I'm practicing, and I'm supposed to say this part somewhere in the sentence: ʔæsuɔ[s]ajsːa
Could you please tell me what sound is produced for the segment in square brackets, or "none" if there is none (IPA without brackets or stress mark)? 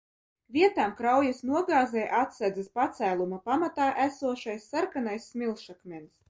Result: ʃ